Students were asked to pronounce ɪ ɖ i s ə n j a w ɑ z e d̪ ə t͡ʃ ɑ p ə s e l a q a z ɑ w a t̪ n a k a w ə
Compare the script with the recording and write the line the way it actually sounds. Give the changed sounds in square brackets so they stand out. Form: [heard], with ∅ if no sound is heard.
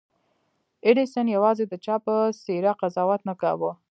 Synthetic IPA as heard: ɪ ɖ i s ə n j a w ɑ z e d̪ ə t͡ʃ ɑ p ə s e [ɾ] a q a z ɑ w a t̪ n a k a w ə